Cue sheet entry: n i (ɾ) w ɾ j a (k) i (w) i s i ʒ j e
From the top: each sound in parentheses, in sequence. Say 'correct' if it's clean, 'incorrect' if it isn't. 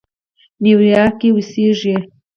incorrect, correct, correct

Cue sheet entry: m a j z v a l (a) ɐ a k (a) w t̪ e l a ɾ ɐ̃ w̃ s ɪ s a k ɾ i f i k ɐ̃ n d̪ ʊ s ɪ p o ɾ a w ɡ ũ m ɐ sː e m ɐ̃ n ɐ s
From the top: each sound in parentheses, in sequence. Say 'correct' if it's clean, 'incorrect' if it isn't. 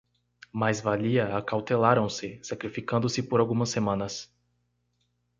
incorrect, correct

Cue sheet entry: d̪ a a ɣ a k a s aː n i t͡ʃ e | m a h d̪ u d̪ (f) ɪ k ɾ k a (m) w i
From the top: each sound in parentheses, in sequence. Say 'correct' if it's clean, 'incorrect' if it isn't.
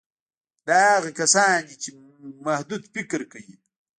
correct, incorrect

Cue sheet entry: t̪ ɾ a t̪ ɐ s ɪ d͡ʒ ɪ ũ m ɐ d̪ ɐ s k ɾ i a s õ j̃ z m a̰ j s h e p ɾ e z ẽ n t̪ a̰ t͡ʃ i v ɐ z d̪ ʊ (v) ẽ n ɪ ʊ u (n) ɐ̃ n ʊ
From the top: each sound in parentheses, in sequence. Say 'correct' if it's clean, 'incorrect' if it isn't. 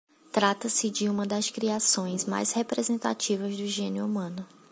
incorrect, incorrect

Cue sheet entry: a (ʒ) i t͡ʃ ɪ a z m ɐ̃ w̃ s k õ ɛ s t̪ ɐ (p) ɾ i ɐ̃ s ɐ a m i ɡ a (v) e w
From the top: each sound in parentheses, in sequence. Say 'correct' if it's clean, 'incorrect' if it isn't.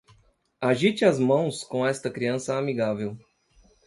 correct, incorrect, correct

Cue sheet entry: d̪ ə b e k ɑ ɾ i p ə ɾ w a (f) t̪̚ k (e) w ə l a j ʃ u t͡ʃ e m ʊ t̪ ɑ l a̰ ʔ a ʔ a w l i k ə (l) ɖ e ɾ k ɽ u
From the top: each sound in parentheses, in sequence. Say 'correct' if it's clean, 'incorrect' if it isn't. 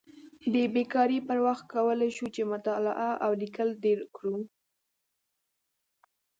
incorrect, incorrect, correct

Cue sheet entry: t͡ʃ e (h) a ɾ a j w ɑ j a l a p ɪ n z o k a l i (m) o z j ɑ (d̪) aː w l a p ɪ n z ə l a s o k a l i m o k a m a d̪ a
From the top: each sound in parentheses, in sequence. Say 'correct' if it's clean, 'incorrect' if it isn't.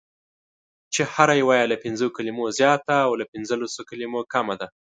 correct, correct, incorrect

